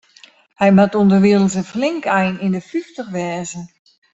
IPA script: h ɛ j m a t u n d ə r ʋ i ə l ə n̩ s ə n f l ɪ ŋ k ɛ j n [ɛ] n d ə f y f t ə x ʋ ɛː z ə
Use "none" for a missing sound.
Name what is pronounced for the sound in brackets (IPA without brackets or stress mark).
i